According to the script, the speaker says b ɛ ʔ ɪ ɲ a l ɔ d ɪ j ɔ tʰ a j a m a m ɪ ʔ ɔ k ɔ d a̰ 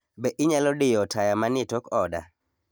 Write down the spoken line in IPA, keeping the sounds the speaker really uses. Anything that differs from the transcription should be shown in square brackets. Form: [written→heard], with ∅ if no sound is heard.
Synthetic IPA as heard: b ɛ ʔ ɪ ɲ a l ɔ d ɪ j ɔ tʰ a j a m a [m→n] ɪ [ʔ→t] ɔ k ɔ d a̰